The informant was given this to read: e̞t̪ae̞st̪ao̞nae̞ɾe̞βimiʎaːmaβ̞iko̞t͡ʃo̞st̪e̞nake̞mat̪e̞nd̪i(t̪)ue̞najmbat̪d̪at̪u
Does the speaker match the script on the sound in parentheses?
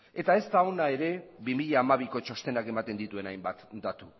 yes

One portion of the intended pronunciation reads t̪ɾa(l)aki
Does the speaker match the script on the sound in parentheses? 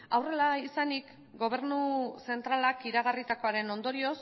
yes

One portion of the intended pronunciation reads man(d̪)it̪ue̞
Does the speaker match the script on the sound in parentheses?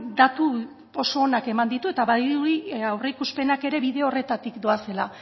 yes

